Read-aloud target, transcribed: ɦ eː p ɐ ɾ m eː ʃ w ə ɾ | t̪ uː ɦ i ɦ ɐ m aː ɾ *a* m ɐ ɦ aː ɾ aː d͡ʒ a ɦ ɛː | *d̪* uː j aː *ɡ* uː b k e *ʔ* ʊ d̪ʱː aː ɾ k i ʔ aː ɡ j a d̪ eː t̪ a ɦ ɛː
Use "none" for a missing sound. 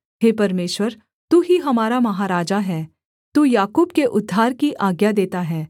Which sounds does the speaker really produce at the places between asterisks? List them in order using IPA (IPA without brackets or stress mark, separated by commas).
a, t̪, k, ʔ